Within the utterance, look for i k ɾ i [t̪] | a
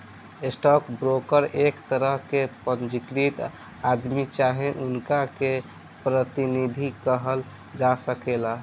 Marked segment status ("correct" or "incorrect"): correct